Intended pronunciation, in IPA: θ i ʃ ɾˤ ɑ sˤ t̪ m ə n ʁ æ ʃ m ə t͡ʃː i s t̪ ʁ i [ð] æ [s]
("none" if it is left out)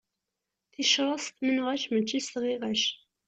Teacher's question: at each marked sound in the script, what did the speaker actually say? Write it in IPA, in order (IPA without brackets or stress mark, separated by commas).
ʁ, ʃ